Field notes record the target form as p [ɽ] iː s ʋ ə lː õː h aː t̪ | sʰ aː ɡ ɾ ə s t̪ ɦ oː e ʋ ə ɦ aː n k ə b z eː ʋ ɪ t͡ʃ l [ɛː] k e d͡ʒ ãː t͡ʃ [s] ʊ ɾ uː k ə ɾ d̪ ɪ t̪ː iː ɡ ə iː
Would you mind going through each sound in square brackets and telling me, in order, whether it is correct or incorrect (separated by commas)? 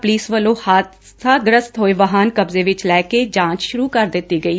incorrect, correct, incorrect